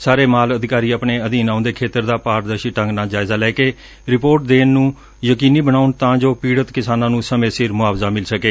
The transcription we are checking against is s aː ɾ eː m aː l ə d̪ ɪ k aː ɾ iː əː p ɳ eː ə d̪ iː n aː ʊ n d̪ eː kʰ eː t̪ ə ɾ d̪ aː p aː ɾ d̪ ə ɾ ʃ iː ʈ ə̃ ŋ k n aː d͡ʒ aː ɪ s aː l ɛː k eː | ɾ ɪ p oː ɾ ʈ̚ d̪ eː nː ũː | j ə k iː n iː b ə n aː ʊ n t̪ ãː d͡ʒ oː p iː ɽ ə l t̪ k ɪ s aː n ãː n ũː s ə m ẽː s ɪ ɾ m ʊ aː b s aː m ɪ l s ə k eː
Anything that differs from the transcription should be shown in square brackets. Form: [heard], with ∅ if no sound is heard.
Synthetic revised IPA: s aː ɾ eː m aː l ə d̪ ɪ k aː ɾ iː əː p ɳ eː ə d̪ iː n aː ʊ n d̪ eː kʰ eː t̪ ə ɾ d̪ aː p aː ɾ d̪ ə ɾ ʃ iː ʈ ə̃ ŋ [ɡ] n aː d͡ʒ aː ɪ [z] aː l ɛː k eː | ɾ ɪ p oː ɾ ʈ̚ d̪ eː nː ũː | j ə k iː n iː b ə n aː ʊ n t̪ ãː d͡ʒ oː p iː ɽ ə [∅] t̪ k ɪ s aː n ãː n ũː s ə m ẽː s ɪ ɾ m ʊ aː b [z] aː m ɪ l s ə k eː